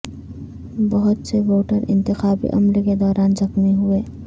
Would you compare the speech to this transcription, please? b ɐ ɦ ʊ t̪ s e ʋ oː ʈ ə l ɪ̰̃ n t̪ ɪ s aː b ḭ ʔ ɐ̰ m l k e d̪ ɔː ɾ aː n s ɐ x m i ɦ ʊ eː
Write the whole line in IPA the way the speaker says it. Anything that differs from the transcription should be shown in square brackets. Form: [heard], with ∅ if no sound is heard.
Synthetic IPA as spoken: b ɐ ɦ ʊ t̪ s e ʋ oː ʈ ə [ɾ] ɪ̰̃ n t̪ ɪ [x] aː b ḭ ʔ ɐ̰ m l k e d̪ ɔː ɾ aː n [z] ɐ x m i ɦ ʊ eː